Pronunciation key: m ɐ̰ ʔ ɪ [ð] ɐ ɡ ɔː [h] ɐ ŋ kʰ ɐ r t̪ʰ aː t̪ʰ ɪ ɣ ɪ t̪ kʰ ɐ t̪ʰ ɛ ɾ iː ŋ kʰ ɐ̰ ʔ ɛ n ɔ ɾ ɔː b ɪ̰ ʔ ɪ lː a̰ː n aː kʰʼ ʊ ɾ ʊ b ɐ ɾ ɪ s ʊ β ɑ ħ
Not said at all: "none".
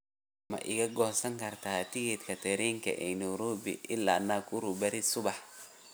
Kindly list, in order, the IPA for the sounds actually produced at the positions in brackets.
ɣ, s

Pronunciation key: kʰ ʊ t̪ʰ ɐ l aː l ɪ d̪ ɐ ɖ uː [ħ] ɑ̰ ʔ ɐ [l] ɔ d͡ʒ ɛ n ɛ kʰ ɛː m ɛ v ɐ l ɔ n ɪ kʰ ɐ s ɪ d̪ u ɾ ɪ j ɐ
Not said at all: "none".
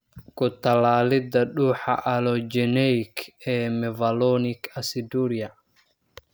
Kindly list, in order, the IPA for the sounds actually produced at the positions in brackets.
ħ, l

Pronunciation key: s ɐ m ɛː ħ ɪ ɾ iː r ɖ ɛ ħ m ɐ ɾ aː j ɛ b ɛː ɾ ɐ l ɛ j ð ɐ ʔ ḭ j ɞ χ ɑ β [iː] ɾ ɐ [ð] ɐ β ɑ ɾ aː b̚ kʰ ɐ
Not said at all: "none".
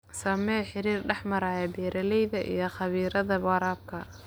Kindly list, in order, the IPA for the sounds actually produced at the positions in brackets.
iː, ð

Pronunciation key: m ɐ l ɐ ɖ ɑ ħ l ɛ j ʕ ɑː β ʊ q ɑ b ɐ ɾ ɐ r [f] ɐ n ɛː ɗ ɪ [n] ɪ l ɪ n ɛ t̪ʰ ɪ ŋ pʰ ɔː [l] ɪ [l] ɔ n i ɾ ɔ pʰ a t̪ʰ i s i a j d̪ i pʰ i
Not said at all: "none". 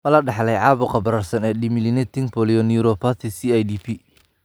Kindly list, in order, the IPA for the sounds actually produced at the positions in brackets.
s, m, l, none

